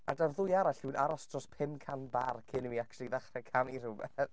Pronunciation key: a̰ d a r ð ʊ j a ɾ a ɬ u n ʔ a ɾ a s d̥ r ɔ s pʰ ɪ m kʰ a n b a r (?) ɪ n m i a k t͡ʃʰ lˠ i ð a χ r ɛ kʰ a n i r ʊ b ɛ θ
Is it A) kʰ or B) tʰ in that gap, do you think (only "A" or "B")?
A